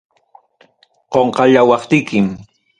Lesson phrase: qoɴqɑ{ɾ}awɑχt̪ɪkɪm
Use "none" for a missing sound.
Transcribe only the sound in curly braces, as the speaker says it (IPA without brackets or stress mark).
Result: ʎ